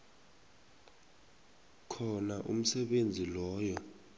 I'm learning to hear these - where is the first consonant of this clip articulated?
velum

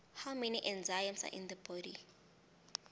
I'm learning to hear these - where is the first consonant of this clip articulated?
throat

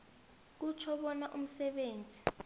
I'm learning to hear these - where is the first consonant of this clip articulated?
velum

